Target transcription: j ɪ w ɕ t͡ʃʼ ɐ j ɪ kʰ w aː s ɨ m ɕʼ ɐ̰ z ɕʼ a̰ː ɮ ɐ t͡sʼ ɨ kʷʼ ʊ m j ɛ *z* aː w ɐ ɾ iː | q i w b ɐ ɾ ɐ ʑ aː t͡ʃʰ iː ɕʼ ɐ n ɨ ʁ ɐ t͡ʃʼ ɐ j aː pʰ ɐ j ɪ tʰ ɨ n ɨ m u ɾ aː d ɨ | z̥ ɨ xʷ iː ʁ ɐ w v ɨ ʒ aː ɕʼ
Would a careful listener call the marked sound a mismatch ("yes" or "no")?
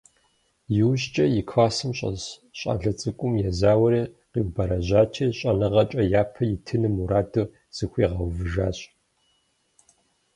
no